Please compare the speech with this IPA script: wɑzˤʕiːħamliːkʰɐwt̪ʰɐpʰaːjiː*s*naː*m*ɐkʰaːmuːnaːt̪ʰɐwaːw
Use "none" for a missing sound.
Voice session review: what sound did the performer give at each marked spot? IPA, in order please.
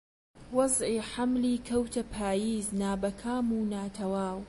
z, b

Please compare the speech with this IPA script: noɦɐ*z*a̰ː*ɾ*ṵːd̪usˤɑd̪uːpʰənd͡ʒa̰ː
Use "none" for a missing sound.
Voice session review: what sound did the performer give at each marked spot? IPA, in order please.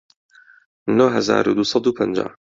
z, ɾ

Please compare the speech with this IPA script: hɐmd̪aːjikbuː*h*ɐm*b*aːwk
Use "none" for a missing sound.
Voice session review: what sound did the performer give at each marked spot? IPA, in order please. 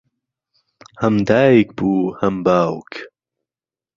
h, b

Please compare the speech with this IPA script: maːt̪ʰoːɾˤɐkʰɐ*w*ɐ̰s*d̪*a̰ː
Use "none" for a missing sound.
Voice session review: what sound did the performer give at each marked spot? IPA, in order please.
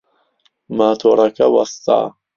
w, t̪

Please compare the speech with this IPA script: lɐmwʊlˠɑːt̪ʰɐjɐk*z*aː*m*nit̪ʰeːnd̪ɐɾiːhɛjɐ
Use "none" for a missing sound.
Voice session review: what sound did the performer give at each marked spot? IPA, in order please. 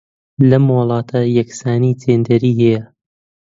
s, none

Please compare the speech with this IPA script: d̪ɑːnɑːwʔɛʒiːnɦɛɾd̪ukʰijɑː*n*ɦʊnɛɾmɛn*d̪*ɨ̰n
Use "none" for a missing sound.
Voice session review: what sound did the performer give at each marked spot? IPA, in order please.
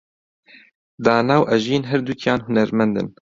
n, d̪

